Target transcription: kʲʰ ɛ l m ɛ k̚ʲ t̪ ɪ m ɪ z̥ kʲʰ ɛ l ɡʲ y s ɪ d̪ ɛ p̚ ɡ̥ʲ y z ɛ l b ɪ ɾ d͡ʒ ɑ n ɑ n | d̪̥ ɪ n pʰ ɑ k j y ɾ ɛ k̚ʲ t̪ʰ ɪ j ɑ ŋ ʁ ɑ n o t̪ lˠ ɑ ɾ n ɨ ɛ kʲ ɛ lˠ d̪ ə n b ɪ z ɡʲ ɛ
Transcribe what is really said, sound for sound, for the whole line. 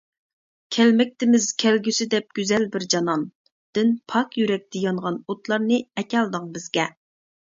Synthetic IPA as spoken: kʲʰ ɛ l m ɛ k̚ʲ t̪ ɪ m ɪ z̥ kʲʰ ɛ l ɡʲ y s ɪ d̪ ɛ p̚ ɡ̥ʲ y z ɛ l b ɪ ɾ d͡ʒ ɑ n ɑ n | d̪̥ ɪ n pʰ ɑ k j y ɾ ɛ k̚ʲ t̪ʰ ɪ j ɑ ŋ ʁ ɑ n o t̪ lˠ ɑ ɾ n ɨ ɛ kʲ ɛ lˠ d̪ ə ŋ b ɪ z ɡʲ ɛ

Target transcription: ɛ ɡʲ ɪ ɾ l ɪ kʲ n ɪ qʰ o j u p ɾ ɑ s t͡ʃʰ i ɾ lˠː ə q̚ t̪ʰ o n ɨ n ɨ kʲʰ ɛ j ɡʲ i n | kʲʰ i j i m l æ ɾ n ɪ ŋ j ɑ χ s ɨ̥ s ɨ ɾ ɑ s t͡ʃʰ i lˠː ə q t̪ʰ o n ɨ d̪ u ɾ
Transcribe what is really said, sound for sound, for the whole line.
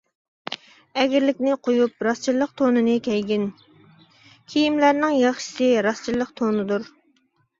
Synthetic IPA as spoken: ɛ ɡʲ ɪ ɾ l ɪ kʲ n ɪ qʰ o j u p ɾ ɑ s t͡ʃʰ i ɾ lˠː ə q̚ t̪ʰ o n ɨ n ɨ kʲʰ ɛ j ɡʲ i n | kʲʰ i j i m l æ ɾ n ɪ ŋ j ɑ χ ʃ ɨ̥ s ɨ ɾ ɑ s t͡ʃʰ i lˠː ə q t̪ʰ o n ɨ d̪ u ɾ

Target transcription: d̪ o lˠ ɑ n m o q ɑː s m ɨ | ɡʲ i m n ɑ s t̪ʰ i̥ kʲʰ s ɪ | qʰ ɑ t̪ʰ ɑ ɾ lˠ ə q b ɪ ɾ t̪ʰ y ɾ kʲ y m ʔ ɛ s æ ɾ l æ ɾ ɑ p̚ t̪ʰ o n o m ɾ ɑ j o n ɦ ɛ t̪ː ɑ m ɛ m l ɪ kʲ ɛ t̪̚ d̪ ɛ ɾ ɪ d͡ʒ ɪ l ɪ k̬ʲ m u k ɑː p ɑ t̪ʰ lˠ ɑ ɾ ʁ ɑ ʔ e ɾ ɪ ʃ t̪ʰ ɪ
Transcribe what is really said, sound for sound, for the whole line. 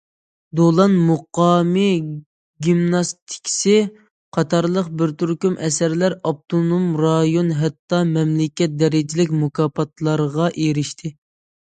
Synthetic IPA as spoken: d̪ o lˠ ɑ n m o q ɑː m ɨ | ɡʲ i m n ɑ s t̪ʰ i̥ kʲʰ s ɪ | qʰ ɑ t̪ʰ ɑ ɾ lˠ ə q b ɪ ɾ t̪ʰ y ɾ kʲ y m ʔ ɛ s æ ɾ l æ ɾ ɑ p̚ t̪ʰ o n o m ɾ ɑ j o n ɦ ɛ t̪ː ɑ m ɛ m l ɪ kʲ ɛ t̪̚ d̪ ɛ ɾ ɪ d͡ʒ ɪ l ɪ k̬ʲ m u k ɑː p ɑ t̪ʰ lˠ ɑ ɾ ʁ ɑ ʔ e ɾ ɪ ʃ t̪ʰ ɪ

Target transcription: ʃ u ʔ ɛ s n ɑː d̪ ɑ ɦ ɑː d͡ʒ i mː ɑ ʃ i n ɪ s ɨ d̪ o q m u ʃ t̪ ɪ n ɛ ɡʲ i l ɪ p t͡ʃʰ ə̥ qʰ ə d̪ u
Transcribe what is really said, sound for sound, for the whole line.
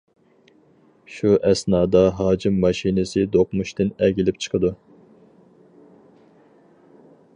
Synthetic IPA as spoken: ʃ u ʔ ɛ s n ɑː d̪ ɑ ɦ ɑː d͡ʒ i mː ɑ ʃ i n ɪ s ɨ d̪ o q m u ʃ t̪ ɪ n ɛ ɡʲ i l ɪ p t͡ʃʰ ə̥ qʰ ə d̪ u

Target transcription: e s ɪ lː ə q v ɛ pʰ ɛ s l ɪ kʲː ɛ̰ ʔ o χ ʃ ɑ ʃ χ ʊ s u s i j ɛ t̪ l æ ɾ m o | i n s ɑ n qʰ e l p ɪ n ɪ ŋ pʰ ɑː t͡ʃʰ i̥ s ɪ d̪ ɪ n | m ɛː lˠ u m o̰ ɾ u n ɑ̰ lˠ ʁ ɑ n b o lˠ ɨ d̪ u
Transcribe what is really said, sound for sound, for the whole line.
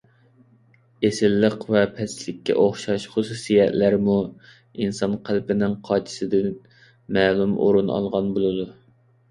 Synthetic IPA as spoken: e s ɪ lː ə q v ɛ pʰ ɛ s l ɪ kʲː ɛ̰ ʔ o χ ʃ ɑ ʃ χ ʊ s u s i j ɛ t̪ l æ ɾ m u | i n s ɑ n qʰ æ l p ɪ n ɪ ŋ qʰ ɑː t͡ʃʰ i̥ s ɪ d̪ ɪ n | m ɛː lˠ u m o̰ ɾ u n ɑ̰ lˠ ʁ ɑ n b o lˠ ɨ d̪ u

